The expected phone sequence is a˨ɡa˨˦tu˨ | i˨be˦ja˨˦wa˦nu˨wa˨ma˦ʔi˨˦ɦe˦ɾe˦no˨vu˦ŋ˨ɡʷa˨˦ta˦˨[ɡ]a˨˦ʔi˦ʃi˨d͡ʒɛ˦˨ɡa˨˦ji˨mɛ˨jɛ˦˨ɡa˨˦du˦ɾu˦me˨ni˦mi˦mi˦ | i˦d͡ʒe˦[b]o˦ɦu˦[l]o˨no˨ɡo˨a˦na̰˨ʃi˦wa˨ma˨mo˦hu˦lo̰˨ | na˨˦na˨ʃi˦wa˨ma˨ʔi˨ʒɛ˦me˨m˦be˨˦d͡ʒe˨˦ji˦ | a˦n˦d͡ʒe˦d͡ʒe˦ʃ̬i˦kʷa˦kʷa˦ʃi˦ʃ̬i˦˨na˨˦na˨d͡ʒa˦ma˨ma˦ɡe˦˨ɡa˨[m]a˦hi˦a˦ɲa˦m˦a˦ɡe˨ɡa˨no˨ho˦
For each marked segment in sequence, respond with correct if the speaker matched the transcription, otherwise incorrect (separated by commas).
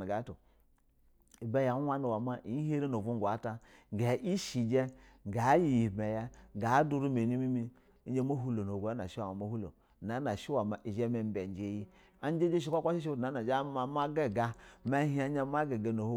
correct, incorrect, correct, correct